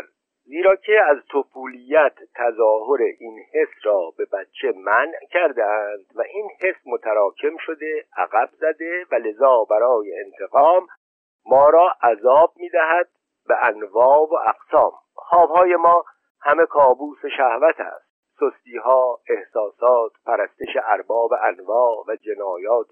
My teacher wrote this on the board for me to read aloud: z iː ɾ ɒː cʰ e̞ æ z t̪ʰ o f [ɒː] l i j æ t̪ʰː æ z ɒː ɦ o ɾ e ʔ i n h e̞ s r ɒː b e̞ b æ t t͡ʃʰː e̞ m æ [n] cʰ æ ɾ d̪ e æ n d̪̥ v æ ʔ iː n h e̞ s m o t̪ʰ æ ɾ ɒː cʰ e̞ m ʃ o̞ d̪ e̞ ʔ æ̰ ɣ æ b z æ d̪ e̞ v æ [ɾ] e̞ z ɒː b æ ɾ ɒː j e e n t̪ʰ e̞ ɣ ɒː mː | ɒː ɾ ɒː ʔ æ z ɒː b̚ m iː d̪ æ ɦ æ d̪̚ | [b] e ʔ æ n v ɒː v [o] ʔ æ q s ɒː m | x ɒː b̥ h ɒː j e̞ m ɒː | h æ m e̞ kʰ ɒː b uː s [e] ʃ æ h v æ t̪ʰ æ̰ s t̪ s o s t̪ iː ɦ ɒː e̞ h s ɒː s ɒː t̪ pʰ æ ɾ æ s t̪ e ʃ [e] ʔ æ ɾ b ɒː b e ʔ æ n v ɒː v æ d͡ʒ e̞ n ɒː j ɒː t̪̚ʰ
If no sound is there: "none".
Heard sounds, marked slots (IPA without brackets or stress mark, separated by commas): uː, n, l, b, o, e, e